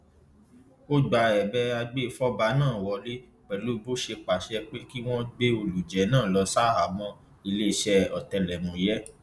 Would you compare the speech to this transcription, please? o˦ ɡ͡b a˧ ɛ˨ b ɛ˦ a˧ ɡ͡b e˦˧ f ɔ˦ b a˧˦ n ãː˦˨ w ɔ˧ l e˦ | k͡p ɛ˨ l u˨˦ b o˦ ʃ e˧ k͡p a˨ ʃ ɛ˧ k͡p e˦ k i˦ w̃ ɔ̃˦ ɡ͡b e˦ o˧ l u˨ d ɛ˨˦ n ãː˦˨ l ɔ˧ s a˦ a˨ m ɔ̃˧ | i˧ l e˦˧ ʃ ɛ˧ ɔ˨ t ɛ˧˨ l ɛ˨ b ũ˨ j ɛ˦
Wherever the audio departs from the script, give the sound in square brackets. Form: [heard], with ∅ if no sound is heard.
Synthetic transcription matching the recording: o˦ ɡ͡b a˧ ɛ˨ b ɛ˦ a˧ ɡ͡b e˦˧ f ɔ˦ b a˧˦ n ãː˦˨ w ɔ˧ l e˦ | k͡p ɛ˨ l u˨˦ b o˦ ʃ e˧ k͡p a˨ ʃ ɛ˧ k͡p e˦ k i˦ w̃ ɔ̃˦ ɡ͡b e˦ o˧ l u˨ [d͡ʒ] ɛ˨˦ n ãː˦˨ l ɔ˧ s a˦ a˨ m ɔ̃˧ | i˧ l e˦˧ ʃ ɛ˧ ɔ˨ t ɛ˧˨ l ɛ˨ [m] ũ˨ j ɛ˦